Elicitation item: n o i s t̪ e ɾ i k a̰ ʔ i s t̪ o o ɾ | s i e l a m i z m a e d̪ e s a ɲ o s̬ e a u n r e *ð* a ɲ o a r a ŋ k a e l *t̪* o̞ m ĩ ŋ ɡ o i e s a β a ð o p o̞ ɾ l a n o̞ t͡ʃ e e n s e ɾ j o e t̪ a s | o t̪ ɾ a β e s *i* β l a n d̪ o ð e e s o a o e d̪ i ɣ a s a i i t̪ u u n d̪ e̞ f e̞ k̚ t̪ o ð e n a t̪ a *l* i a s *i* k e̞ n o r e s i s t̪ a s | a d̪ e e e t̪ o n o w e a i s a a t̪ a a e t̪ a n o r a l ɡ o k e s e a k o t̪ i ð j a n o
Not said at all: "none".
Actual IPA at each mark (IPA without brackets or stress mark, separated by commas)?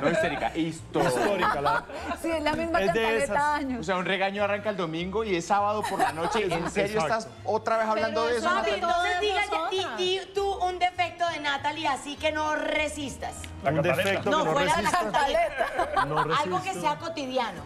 ɣ, d̪, a, l, i